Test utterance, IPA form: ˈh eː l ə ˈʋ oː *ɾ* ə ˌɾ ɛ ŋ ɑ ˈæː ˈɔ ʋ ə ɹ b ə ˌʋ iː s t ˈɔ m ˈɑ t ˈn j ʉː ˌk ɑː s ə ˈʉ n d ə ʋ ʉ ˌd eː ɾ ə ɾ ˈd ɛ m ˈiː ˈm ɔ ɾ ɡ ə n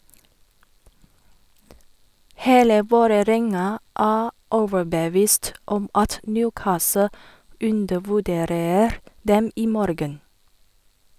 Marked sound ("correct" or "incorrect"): correct